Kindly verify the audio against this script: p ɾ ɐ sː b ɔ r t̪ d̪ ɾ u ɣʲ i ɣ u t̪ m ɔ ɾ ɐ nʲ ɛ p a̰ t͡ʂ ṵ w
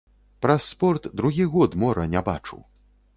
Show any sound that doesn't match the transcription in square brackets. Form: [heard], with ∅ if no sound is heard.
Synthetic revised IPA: p ɾ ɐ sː [p] ɔ r t̪ d̪ ɾ u ɣʲ i ɣ [ɔ] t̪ m ɔ ɾ ɐ nʲ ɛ [b] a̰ t͡ʂ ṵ w